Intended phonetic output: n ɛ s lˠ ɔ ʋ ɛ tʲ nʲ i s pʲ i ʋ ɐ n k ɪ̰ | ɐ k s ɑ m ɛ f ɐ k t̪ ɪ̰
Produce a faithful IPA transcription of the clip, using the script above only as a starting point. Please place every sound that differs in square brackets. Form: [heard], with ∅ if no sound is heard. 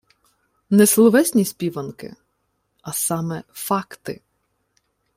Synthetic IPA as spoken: n ɛ s lˠ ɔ ʋ ɛ [sʲ] nʲ i s pʲ i ʋ ɐ n k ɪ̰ | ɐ [∅] s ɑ m ɛ f [ɑ] k t̪ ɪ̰